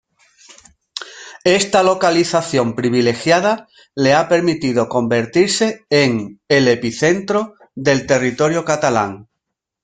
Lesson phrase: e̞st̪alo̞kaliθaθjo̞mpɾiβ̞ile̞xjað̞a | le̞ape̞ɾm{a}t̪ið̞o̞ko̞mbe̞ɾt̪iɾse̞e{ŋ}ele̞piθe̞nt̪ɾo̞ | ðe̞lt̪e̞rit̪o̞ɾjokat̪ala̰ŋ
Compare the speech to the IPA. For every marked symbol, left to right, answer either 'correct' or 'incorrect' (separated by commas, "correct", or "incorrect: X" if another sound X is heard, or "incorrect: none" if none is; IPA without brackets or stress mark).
incorrect: i, correct